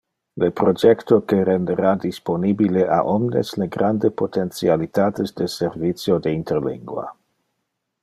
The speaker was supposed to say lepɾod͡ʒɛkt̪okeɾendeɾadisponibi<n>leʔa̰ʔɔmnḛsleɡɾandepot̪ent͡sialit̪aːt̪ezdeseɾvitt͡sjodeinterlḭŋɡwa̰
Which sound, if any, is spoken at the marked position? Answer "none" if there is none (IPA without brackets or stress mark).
none